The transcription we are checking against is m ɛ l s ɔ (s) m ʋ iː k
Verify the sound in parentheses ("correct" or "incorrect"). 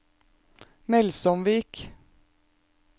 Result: incorrect